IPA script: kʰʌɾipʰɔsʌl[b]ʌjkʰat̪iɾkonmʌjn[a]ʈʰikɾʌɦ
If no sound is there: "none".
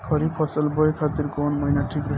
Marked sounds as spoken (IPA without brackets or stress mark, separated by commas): b, a